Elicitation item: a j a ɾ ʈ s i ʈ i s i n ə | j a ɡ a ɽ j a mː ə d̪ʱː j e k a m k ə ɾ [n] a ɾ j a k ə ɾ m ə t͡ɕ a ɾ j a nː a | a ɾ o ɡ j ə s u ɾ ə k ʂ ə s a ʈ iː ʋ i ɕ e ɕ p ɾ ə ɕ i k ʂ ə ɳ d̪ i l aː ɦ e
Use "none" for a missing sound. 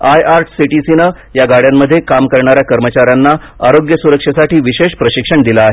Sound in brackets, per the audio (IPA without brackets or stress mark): ɳ